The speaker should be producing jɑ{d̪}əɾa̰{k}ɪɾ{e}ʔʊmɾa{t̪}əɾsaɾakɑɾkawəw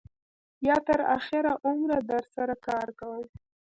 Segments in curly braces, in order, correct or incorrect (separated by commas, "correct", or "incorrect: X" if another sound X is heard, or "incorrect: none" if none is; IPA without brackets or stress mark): incorrect: t̪, incorrect: x, incorrect: a, incorrect: d̪